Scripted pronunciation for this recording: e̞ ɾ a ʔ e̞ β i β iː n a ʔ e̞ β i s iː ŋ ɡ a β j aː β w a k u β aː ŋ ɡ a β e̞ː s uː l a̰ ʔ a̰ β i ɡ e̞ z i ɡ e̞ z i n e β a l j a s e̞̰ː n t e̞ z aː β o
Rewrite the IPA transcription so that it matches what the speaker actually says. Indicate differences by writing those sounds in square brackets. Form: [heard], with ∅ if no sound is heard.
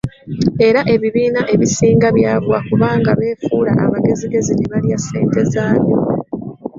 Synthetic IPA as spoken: e̞ ɾ a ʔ e̞ β i β iː n a ʔ e̞ β i s iː ŋ ɡ a β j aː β w a k u β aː ŋ ɡ a β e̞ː [f] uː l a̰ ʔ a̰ β [a] ɡ e̞ z i ɡ e̞ z i n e β a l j a s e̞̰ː n t e̞ z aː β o